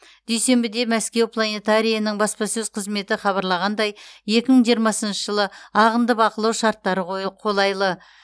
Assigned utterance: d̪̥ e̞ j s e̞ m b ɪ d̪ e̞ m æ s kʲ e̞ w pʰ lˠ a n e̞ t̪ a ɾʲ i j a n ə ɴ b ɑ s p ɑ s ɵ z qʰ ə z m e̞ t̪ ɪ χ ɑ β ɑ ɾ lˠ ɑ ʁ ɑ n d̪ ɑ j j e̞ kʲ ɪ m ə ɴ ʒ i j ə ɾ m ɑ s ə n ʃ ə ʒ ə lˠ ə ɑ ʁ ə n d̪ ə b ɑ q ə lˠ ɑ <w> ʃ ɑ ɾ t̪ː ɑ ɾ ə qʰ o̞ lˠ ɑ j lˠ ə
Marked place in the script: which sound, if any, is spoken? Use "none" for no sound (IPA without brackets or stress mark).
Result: w